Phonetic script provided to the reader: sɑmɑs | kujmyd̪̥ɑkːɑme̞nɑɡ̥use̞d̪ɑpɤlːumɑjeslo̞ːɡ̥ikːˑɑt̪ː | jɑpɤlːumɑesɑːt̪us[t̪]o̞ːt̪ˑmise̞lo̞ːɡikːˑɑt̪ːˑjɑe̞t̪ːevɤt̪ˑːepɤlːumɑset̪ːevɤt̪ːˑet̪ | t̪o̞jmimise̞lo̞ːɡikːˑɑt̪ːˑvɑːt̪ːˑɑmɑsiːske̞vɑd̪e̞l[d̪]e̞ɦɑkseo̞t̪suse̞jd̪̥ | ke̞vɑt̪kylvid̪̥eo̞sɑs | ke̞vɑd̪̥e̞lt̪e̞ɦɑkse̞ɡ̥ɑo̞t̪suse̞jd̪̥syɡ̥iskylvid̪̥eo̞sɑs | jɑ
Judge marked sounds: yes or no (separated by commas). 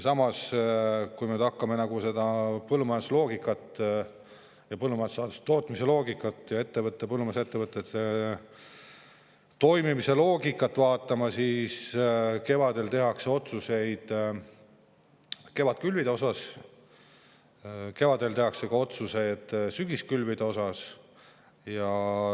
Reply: yes, no